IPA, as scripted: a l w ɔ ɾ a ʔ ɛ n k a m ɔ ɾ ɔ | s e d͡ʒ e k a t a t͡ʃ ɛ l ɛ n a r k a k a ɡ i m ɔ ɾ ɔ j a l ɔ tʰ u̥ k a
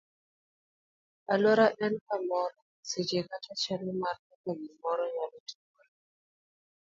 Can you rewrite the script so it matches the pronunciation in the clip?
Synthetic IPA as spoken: a l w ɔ ɾ a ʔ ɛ n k a m ɔ ɾ ɔ | s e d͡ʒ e k a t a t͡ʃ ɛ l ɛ m a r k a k a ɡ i m ɔ ɾ ɔ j a l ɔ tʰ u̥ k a

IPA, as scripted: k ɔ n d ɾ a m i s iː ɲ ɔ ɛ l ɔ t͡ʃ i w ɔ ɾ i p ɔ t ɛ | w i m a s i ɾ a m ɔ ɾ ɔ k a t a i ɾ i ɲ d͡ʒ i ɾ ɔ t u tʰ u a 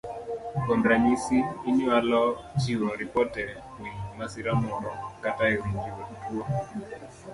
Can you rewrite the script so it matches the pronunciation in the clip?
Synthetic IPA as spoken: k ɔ n d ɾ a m i s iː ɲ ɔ a l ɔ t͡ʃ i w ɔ ɾ i p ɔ t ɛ | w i m a s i ɾ a m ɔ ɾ ɔ k a t a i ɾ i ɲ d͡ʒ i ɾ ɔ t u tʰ u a

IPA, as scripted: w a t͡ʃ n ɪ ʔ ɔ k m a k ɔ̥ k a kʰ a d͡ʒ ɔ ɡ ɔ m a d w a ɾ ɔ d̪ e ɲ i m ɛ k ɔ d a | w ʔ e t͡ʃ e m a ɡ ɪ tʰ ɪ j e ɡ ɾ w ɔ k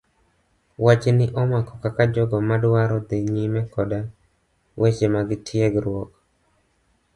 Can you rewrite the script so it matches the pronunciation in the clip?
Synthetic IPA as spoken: w a t͡ʃ n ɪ ʔ ɔ m a k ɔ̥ k a k a d͡ʒ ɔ ɡ ɔ m a d w a ɾ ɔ d̪ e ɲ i m ɛ k ɔ d a | w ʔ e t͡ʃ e m a ɡ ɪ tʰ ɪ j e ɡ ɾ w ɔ k

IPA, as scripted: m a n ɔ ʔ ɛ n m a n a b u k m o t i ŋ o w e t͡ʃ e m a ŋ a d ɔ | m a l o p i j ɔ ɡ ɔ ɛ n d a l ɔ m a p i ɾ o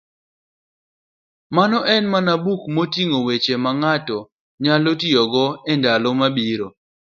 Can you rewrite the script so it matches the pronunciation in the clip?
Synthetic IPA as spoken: m a n ɔ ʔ ɛ n m a n a b u k m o t i ŋ o w e t͡ʃ e m a ŋ a t ɔ | ɲ a l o t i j ɔ ɡ ɔ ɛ n d a l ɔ m a b i ɾ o

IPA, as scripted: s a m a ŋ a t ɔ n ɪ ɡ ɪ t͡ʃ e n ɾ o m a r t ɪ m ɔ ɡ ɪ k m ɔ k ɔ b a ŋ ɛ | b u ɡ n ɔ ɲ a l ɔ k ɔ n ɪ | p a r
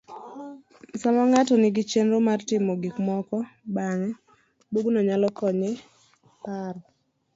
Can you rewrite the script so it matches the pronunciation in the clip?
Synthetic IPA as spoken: s a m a ŋ a t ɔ n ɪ ɡ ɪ t͡ʃ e n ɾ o m a r t ɪ m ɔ ɡ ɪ k m ɔ k ɔ b a ŋ ɛ | b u ɡ n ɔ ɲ a l ɔ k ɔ ɲ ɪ | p a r

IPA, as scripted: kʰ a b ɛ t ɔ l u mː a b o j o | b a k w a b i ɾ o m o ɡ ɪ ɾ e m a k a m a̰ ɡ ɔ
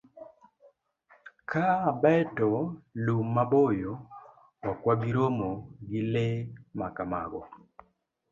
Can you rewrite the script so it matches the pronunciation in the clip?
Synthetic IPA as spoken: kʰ a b ɛ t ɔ l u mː a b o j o | w a k w a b i ɾ o m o ɡ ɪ l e m a k a m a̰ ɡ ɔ

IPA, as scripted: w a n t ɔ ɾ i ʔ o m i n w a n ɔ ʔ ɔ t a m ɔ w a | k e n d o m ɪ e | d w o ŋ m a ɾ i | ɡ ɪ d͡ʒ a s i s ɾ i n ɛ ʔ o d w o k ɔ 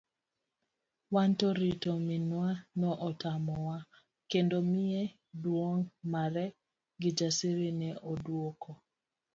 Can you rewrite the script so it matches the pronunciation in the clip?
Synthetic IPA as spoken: w a n t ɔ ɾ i t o m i n w a n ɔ ʔ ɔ t a m ɔ w a | k e n d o m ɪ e | d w o ŋ m a ɾ ɛ | ɡ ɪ d͡ʒ a s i ɾ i n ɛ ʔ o d w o k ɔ

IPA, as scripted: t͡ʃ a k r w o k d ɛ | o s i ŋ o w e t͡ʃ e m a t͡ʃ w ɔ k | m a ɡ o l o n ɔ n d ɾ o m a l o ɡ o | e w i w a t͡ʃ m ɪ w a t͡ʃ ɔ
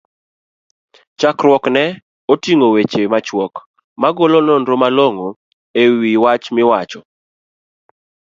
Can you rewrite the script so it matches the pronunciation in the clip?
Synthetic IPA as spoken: t͡ʃ a k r w ɔ k n ɛ | o t i ŋ o w e t͡ʃ e m a t͡ʃ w ɔ k | m a ɡ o l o n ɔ n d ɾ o m a l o ŋ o | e w i w a t͡ʃ m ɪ w a t͡ʃ ɔ

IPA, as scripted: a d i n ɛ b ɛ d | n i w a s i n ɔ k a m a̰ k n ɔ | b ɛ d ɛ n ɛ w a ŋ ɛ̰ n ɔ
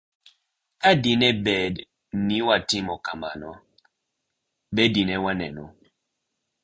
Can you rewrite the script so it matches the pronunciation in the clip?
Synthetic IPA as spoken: a d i n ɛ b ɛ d | n i w a t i m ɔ k a m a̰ n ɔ | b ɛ d i n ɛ w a n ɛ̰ n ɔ

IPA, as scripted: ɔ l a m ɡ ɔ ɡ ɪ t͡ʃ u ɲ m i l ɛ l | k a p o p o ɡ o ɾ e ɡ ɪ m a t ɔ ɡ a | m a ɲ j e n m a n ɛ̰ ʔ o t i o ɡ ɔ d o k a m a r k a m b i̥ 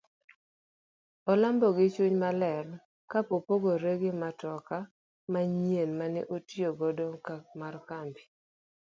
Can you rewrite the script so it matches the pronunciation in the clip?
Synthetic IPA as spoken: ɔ l a m b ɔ ɡ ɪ t͡ʃ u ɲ m a l ɛ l | k a p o p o ɡ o ɾ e ɡ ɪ m a t ɔ k a | m a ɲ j e n m a n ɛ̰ ʔ o t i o ɡ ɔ d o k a m a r k a m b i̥

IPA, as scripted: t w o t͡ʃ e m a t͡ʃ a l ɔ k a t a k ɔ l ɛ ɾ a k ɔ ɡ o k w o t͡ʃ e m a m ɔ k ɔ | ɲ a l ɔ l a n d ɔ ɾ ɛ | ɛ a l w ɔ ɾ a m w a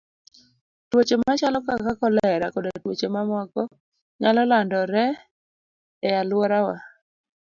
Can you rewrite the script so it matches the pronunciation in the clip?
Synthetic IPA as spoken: t w o t͡ʃ e m a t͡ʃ a l ɔ k a k a k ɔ l ɛ ɾ a k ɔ d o t w o t͡ʃ e m a m ɔ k ɔ | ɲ a l ɔ l a n d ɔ ɾ ɛ | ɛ a l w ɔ ɾ a w a

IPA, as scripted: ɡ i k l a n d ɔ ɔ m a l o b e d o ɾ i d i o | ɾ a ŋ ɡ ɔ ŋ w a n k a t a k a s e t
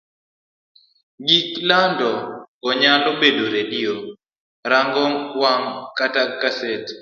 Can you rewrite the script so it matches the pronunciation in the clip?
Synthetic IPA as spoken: ɡ i k l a n d ɔ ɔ ɲ a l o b e d o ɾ e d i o | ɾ a ŋ ɡ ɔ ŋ w a ŋ k a t a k a s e t

